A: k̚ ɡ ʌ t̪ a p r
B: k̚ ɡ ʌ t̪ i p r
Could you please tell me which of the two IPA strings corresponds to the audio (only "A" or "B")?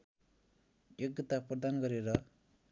A